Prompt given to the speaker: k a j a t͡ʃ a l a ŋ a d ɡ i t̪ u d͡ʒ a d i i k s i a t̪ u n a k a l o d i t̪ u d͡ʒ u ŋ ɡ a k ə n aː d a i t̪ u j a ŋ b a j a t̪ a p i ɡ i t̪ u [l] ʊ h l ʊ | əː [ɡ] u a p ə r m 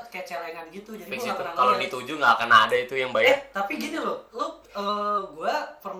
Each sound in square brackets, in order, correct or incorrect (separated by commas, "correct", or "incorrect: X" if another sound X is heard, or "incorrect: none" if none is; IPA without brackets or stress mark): correct, correct